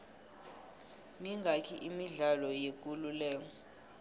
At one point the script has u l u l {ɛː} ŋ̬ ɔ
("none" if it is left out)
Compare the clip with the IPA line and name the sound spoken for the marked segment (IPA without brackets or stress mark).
ɛː